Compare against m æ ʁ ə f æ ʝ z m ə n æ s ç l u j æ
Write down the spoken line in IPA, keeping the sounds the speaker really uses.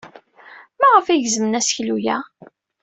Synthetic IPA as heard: m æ ʁ ə f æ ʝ z m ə n æ s ç l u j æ